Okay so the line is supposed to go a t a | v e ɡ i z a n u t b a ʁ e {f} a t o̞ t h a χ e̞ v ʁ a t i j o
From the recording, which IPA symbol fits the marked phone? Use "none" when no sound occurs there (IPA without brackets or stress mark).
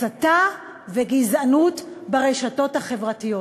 ʃ